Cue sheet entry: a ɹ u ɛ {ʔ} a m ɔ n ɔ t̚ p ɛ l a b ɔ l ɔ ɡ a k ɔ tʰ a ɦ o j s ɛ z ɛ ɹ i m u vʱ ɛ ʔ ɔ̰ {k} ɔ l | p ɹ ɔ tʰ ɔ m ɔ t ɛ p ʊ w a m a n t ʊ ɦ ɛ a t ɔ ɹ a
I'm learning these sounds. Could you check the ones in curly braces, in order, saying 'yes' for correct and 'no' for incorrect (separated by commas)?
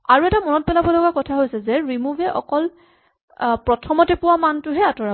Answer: no, yes